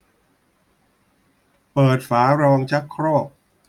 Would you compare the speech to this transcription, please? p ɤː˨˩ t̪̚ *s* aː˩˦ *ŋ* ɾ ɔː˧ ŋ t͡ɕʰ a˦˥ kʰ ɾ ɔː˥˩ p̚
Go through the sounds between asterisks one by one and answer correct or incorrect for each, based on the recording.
incorrect: f, incorrect: none

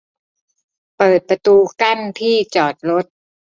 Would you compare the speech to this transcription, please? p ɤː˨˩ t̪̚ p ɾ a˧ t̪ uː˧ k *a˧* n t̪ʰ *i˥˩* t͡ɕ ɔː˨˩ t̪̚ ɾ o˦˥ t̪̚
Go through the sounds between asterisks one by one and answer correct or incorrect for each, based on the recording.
incorrect: a˥˩, incorrect: iː˥˩

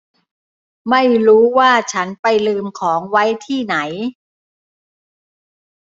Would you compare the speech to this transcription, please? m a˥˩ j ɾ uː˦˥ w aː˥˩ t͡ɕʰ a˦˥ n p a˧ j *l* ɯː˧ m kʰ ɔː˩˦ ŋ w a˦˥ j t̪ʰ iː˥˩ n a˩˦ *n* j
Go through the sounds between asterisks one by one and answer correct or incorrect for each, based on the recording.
correct, incorrect: none

